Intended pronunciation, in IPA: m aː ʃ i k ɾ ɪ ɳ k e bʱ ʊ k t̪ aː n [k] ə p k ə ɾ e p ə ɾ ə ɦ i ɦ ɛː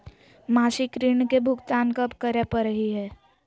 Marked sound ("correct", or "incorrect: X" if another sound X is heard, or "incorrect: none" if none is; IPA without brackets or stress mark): correct